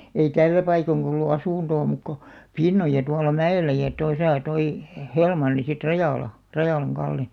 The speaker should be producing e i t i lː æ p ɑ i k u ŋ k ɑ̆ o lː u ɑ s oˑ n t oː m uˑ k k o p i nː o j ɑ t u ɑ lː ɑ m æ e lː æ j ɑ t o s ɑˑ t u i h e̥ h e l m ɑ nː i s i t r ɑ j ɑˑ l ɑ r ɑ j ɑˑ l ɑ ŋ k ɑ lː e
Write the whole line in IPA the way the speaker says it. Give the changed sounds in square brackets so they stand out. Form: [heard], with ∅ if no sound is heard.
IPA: e i t [æ] lː æ p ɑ i k [o] ŋ k ɑ̆ o lː u ɑ s [uˑ] n t oː m uˑ k k o p i nː o j ɑ t u ɑ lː ɑ m æ e lː æ j ɑ t o s ɑˑ t [o] i h e̥ h e l m ɑ nː i s i t r ɑ j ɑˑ l ɑ r ɑ j ɑˑ l ɑ ŋ k ɑ lː e